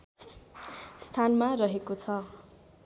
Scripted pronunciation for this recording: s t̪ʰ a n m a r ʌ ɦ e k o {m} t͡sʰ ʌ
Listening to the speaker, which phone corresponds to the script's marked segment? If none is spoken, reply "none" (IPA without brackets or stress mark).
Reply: none